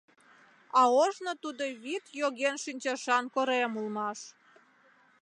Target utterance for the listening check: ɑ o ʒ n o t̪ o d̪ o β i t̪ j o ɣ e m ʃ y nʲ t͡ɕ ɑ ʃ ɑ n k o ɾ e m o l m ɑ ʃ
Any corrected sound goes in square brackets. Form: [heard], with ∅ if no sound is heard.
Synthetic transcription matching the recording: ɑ o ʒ n o t̪ [u] d̪ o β i t̪ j o ɣ e [n] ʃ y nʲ t͡ɕ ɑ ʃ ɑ n k o ɾ e m [u] l m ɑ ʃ